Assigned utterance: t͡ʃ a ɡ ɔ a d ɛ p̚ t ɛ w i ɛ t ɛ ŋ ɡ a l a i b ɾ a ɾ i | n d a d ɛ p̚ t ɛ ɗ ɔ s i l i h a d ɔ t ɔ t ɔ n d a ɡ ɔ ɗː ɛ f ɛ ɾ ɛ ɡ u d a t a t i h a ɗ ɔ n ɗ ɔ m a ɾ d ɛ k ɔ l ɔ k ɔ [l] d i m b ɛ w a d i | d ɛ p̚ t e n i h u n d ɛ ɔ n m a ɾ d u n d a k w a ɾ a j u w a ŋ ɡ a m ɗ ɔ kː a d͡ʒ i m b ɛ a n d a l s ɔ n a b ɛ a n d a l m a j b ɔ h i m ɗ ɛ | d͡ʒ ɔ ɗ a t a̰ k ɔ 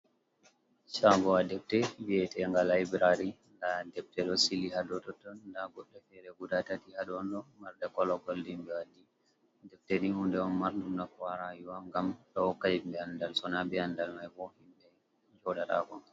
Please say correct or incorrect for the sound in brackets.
correct